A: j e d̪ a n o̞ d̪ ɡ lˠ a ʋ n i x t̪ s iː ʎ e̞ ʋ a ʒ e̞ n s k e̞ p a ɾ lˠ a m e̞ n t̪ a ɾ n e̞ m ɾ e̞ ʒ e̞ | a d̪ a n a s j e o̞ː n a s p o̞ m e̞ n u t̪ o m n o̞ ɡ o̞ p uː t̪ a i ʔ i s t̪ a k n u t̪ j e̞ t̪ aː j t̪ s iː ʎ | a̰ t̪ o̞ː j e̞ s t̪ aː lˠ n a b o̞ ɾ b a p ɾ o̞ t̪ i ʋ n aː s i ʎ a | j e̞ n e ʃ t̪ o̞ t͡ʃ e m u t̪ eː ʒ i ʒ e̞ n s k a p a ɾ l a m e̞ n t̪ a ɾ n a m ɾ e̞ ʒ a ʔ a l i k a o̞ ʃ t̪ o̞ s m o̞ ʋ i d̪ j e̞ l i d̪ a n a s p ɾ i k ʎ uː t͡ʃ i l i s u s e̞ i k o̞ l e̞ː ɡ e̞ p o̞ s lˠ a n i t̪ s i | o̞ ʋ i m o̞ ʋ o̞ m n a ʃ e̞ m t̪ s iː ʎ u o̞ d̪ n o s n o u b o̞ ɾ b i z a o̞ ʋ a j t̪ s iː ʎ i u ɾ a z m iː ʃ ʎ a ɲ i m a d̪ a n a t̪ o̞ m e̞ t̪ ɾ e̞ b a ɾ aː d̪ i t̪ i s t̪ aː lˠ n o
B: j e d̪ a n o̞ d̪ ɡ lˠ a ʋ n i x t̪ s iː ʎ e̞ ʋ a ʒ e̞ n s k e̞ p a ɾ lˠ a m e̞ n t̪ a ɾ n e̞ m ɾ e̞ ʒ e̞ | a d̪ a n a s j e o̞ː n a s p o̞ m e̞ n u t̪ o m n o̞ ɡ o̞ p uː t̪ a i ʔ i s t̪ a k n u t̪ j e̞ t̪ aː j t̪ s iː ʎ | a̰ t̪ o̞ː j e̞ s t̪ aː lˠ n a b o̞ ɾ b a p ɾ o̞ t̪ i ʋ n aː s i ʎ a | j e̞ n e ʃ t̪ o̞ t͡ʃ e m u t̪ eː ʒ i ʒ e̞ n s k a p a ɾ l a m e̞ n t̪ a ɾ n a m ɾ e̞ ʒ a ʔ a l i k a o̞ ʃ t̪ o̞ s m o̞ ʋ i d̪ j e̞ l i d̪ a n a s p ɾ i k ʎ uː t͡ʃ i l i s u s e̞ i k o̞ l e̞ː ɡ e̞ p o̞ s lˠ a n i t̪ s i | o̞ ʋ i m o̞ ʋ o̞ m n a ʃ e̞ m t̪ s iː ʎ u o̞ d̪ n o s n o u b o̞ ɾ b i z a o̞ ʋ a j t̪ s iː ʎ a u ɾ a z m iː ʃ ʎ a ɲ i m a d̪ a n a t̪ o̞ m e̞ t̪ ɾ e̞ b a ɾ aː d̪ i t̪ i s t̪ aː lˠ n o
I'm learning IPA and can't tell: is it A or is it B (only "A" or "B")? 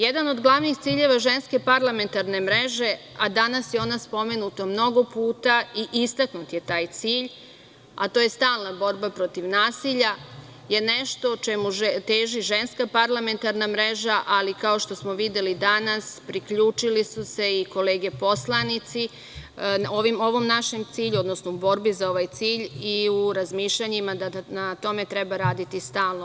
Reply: A